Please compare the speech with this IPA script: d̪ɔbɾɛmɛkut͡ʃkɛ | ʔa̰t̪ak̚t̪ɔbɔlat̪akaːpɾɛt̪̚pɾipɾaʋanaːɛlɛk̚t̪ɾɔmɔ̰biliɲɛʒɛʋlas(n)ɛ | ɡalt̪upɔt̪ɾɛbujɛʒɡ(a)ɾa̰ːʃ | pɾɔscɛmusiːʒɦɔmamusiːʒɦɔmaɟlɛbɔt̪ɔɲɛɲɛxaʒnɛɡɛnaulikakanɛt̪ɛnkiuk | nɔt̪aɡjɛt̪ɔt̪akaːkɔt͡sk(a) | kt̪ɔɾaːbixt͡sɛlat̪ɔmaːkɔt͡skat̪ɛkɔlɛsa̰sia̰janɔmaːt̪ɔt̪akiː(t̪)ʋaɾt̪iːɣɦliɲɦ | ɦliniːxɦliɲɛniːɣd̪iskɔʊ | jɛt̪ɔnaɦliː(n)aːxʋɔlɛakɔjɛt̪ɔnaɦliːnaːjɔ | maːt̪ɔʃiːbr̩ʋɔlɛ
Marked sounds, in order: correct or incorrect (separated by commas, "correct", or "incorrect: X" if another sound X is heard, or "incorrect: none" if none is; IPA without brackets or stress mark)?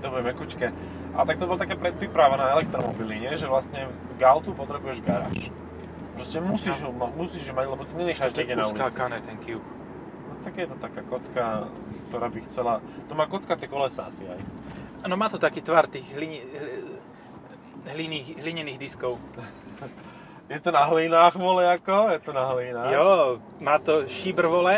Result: incorrect: ɲ, correct, correct, correct, correct